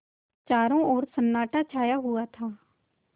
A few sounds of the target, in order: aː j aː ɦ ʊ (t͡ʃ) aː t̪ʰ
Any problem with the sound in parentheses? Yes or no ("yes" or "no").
yes